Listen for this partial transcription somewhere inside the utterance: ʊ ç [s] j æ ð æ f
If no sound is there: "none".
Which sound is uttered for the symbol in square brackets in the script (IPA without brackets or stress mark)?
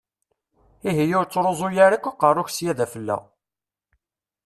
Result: s